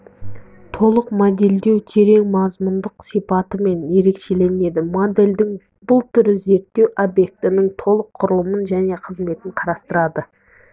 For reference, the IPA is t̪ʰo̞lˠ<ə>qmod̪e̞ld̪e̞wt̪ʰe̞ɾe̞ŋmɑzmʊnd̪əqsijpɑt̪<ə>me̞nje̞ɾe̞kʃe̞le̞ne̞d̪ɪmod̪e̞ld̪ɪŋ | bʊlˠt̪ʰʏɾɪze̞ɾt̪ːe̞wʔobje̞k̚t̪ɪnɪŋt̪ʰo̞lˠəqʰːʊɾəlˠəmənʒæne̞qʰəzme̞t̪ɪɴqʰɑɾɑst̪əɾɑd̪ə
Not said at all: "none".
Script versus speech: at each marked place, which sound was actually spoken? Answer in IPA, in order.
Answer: ə, ə

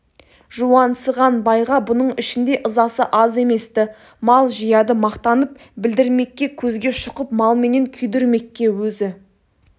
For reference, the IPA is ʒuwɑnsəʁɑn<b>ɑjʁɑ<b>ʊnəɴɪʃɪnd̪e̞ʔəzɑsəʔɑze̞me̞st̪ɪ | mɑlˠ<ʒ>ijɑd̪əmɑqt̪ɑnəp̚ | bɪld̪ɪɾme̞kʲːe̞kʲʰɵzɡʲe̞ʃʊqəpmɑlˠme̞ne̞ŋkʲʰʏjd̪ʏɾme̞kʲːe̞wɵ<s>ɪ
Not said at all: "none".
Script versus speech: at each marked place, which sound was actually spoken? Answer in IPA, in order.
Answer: b, b, ʒ, z

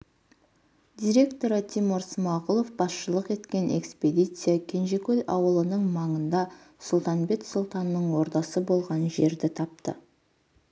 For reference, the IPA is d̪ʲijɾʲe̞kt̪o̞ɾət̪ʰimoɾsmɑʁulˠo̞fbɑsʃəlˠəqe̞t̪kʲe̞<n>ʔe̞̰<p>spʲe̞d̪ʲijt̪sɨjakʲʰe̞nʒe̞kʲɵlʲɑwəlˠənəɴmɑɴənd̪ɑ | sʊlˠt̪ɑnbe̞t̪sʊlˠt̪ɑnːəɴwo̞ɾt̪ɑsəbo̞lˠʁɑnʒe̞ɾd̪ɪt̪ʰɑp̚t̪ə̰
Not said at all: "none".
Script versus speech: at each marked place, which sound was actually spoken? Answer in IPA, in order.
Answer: n, k

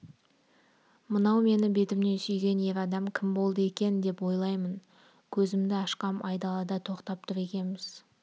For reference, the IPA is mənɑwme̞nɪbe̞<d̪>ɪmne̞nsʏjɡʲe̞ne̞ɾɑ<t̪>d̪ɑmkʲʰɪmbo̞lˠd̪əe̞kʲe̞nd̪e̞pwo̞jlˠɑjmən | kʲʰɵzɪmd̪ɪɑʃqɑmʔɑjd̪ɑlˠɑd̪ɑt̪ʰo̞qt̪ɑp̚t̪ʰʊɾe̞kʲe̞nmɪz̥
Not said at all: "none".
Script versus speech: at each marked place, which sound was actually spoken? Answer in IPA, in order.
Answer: t̪, none

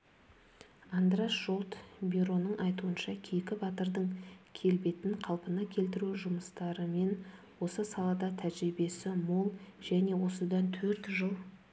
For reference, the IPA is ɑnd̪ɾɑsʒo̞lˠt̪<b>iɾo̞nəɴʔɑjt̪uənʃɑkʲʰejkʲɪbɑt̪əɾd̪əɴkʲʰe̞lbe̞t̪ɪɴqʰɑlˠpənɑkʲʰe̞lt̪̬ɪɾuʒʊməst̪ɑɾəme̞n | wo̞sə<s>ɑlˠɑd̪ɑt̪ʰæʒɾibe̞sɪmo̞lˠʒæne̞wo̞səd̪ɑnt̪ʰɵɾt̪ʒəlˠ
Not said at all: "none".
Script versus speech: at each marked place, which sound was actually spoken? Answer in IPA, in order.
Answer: b, s

